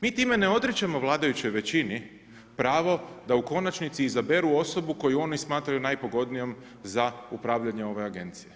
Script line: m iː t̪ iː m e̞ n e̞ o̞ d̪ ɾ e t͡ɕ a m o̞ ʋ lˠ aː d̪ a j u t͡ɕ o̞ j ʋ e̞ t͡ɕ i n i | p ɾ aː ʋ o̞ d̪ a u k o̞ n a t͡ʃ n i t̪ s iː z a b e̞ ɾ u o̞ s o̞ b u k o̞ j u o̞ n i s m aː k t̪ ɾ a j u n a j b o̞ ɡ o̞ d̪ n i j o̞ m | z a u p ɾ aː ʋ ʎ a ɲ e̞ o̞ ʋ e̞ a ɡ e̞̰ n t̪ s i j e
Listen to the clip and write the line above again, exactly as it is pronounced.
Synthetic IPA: m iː t̪ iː m e̞ n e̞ o̞ d̪ ɾ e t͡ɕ a m o̞ ʋ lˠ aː d̪ a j u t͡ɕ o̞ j ʋ e̞ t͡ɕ i n i | p ɾ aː ʋ o̞ d̪ a u k o̞ n a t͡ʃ n i t̪ s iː z a b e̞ ɾ u o̞ s o̞ b u k o̞ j u o̞ n i s m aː t̪ ɾ a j u n a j p o̞ ɡ o̞ d̪ n i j o̞ m | z a u p ɾ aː ʋ ʎ a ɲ e̞ o̞ ʋ e̞ a ɡ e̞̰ n t̪ s i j e